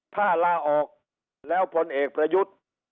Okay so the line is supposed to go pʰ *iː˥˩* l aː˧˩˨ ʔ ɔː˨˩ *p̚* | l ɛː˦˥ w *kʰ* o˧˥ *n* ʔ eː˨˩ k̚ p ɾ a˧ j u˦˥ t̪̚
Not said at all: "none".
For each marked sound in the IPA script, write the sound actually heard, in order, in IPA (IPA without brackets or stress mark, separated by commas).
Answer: aː˥˩, k̚, pʰ, n